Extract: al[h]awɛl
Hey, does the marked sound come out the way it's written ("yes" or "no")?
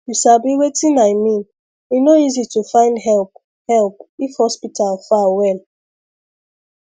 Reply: no